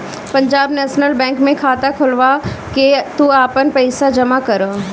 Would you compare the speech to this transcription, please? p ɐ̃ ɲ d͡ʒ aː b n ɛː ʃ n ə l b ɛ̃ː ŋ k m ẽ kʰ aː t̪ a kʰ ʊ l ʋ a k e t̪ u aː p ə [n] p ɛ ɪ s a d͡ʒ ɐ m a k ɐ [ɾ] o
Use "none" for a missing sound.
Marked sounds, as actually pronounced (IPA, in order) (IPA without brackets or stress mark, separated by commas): n, ɾ